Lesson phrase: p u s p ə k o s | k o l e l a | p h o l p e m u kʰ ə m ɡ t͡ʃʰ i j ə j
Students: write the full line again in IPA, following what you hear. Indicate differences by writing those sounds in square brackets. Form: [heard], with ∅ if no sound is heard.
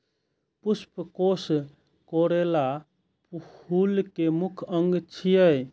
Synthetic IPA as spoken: p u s p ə k o s | k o [ɾ] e l a | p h [u] l [k] e m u kʰ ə [ŋ] ɡ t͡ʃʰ i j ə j